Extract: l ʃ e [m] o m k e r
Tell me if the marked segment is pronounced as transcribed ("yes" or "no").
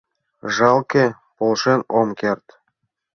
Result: no